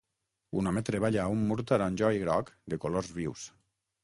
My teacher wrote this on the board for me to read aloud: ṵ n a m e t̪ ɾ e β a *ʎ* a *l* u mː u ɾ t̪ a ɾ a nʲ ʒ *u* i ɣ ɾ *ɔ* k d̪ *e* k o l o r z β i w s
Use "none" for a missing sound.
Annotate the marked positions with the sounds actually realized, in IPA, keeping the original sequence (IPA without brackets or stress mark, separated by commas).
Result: ʎ, none, ɔ, ɔ, e